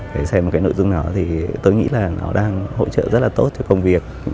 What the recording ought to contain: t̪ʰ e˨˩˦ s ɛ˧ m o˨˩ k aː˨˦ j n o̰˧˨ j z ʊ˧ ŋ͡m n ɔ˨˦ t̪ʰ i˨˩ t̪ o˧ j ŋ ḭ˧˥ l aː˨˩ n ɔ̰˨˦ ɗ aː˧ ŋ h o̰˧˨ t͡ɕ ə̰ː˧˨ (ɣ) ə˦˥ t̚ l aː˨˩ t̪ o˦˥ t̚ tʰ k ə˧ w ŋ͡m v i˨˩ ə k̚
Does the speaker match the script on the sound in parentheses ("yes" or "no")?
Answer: no